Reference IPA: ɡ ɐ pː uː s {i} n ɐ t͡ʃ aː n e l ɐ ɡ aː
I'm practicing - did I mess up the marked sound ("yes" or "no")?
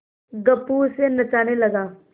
yes